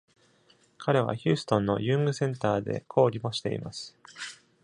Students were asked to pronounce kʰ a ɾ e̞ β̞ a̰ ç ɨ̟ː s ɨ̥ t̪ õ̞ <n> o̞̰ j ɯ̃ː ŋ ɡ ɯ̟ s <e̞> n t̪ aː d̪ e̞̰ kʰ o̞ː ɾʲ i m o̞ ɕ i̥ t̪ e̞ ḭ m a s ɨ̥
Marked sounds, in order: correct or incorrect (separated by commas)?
incorrect, incorrect